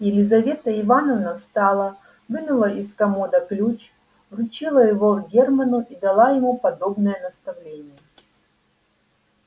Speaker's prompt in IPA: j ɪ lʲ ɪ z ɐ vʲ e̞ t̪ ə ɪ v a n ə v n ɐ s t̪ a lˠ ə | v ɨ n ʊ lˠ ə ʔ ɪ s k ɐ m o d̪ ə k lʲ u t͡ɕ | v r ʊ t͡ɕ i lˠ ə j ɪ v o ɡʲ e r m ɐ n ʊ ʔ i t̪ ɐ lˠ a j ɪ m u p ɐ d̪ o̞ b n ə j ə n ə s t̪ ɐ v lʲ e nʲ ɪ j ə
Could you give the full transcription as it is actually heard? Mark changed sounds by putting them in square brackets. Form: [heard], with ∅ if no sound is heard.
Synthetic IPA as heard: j ɪ lʲ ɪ z ɐ vʲ e̞ t̪ ə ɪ v a n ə v n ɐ s t̪ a lˠ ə | v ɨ n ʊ lˠ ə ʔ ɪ s k ɐ m o d̪ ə k lʲ u t͡ɕ | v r ʊ t͡ɕ i lˠ ə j ɪ v o ɡʲ e r m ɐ n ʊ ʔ i [d̪] ɐ lˠ a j ɪ m u p ɐ d̪ o̞ b n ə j ə n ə s t̪ ɐ v lʲ e nʲ ɪ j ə